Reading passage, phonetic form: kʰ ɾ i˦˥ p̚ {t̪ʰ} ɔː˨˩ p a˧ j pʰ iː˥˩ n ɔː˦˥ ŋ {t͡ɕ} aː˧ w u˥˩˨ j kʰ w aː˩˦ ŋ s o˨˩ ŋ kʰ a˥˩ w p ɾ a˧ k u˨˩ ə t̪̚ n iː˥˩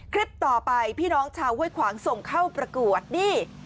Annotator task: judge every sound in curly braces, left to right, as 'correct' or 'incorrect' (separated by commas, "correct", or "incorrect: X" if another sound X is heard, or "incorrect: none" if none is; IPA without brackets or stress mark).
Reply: incorrect: t̪, incorrect: t͡ɕʰ